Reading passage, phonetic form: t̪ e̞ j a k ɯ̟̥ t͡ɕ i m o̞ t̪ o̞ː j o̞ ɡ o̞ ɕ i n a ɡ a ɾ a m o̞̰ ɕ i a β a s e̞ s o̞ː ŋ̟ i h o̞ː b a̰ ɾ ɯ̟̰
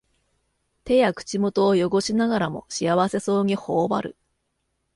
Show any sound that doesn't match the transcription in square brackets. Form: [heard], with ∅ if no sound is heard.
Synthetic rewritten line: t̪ e̞ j a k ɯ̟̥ t͡ɕ i m o̞ t̪ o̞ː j o̞ ɡ o̞ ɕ i n a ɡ a ɾ a m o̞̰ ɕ i a β a s e̞ s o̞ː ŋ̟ i h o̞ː b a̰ ɾ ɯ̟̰